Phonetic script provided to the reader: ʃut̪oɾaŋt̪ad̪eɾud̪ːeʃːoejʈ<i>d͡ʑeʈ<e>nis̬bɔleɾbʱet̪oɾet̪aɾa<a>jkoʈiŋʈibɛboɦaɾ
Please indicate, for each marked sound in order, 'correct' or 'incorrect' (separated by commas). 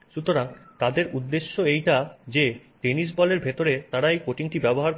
incorrect, correct, incorrect